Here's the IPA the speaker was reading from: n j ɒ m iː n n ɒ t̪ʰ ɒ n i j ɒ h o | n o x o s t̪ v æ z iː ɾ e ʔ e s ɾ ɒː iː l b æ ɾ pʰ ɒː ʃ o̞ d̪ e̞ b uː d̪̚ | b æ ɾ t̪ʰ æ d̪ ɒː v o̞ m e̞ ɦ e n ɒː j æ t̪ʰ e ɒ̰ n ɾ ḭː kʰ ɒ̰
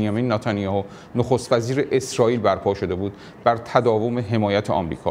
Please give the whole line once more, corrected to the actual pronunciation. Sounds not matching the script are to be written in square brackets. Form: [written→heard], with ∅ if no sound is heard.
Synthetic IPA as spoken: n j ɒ m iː n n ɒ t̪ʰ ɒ n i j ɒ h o | n o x o s t̪ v æ z iː ɾ e ʔ e s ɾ ɒː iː l b æ ɾ pʰ ɒː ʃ o̞ d̪ e̞ b uː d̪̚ | b æ ɾ t̪ʰ æ d̪ ɒː v o̞ m e̞ ɦ e [n→m] ɒː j æ t̪ʰ e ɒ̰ [n→m] ɾ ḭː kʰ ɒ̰